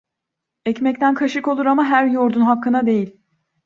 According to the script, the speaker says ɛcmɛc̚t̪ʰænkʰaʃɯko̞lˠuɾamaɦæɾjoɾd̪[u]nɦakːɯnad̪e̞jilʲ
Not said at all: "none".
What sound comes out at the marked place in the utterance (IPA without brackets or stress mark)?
u